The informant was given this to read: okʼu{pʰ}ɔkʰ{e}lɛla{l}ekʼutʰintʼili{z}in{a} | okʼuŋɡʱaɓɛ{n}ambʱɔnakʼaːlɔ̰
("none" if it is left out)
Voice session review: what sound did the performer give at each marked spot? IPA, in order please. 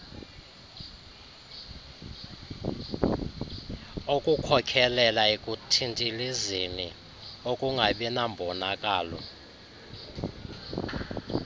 kʰ, ɛ, none, z, i, n

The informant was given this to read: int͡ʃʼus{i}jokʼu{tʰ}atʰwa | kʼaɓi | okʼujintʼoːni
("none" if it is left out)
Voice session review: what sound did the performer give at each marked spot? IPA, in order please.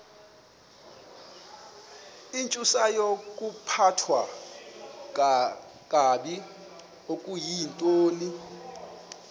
a, pʰ

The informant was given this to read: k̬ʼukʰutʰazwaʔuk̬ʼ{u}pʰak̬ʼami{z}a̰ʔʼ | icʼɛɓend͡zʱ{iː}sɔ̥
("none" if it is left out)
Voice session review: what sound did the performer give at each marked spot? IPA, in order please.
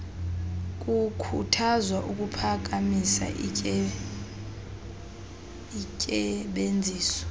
u, s, iː

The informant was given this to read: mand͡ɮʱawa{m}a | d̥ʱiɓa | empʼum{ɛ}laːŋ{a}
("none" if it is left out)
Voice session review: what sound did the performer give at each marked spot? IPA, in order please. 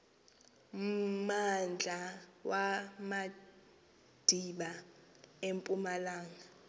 m, a, a

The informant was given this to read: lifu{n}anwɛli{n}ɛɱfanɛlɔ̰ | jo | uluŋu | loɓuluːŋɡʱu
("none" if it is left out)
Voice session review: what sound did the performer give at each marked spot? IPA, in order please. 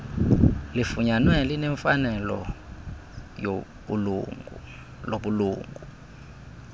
ɲ, n

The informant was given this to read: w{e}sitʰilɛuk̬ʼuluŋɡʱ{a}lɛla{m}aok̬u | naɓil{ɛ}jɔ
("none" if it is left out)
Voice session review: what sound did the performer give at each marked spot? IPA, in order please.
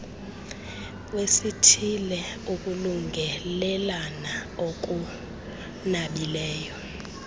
e, ɛ, n, ɛː

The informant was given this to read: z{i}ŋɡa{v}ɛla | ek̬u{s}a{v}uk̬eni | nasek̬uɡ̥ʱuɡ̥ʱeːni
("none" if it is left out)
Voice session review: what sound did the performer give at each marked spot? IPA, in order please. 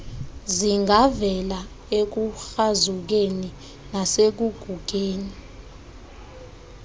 i, v, x, z

